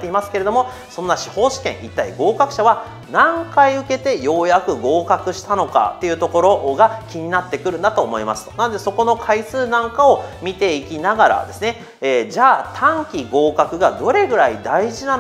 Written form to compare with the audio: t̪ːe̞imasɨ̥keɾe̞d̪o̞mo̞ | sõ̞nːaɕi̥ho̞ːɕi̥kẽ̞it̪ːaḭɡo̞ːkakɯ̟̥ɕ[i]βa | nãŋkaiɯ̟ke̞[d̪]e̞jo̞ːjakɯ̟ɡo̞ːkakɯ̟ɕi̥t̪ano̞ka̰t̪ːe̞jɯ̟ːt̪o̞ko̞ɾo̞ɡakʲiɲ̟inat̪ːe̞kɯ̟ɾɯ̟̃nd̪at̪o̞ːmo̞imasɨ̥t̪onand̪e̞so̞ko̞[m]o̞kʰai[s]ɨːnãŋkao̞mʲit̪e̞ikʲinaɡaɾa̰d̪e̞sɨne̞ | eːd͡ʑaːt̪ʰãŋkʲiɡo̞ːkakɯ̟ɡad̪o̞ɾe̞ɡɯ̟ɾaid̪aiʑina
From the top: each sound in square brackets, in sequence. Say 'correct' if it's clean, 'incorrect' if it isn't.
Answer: incorrect, incorrect, incorrect, correct

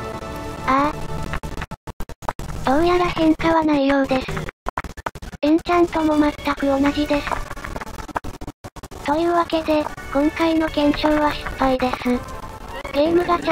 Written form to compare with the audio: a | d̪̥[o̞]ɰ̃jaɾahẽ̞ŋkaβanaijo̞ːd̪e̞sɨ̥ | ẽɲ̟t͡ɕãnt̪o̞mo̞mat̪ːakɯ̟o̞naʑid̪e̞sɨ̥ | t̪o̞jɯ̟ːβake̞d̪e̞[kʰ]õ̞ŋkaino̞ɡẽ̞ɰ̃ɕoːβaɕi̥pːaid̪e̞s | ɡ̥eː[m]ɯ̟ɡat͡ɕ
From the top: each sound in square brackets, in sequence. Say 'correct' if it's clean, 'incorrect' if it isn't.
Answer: incorrect, incorrect, correct

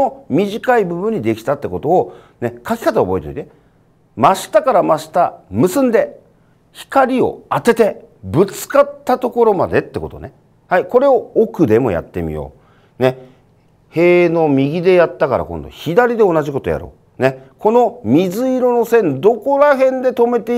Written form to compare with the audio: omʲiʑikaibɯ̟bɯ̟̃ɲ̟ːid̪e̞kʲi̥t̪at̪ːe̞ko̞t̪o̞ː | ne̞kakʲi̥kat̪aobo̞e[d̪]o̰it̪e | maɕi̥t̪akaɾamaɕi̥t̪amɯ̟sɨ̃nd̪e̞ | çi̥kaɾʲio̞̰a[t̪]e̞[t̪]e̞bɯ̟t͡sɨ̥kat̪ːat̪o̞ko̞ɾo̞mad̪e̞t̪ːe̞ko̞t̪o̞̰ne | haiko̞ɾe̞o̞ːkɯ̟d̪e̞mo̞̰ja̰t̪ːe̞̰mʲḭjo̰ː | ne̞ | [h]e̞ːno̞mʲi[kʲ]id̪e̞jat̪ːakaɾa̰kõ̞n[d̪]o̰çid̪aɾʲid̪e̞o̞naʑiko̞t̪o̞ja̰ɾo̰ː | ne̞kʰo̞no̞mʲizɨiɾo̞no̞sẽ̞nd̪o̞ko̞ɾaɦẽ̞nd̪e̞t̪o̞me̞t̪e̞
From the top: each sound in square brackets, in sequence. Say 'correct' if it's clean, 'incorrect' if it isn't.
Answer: incorrect, correct, correct, correct, incorrect, correct

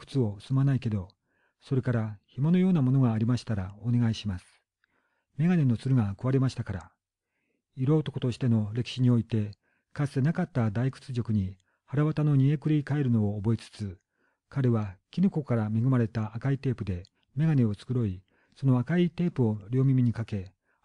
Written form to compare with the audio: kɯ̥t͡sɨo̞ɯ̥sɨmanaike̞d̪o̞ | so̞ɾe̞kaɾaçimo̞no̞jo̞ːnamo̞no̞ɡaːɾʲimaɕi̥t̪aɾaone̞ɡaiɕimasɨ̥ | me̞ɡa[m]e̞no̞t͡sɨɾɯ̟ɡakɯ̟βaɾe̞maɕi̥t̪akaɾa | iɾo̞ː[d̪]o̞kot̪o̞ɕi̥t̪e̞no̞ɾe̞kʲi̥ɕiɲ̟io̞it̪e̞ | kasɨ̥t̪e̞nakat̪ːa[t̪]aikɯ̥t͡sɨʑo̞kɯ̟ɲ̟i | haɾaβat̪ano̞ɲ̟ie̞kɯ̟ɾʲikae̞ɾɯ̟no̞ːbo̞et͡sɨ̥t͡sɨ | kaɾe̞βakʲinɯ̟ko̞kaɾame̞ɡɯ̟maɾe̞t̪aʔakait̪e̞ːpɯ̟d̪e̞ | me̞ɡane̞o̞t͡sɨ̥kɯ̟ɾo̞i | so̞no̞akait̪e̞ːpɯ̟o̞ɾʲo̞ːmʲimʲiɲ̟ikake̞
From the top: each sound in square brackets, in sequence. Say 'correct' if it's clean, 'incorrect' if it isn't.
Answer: incorrect, incorrect, incorrect

